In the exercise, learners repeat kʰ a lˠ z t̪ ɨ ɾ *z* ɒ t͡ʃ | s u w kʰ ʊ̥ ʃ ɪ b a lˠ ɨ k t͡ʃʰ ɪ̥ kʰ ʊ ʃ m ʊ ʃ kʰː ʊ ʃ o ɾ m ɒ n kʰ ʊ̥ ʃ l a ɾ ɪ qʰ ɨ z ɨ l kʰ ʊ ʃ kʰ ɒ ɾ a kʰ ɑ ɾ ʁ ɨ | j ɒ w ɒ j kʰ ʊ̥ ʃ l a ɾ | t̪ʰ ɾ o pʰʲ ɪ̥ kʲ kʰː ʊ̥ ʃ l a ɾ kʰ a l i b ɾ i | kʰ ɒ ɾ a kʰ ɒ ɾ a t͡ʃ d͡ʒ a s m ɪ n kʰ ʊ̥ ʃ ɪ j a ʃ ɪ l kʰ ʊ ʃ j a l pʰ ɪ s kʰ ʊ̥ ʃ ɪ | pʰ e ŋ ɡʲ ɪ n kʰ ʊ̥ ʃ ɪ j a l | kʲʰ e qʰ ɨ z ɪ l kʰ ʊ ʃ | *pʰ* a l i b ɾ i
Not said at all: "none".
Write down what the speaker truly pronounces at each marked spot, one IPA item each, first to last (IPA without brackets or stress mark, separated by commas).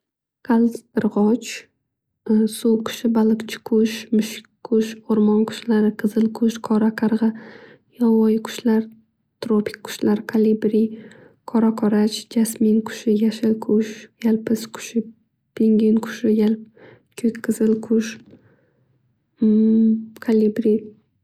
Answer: ʁ, kʰ